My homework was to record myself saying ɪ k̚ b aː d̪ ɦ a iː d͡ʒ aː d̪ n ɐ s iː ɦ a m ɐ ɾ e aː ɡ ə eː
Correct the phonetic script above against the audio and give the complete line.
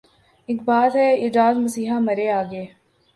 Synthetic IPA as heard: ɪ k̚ b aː t̪ ɦ ɛ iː d͡ʒ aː d̪ m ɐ s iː ɦ a m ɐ ɾ e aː ɡ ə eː